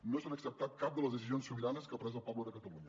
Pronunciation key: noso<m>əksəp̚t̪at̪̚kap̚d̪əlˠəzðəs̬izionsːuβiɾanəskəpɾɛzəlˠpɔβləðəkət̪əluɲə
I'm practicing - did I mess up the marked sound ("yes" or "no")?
yes